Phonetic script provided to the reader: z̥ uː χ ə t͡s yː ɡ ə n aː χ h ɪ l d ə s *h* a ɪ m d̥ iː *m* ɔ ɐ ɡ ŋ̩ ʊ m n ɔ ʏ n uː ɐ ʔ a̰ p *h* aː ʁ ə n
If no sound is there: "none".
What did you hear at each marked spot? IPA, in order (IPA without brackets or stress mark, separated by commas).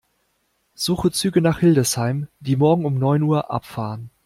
h, m, f